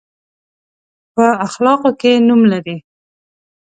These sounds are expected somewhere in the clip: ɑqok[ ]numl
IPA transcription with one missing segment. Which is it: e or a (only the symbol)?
e